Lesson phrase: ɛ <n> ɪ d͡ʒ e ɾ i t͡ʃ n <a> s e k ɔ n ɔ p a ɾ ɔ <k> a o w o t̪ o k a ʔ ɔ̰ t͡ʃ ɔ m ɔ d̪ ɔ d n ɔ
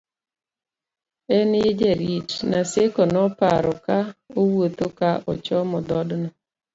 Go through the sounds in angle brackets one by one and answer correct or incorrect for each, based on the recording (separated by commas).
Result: correct, correct, correct